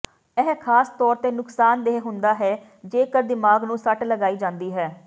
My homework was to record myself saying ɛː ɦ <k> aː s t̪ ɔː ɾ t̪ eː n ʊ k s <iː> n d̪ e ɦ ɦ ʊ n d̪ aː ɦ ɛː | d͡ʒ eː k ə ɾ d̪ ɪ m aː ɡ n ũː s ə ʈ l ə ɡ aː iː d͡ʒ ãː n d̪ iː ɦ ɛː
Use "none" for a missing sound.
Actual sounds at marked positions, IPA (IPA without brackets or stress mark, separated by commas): kʰ, aː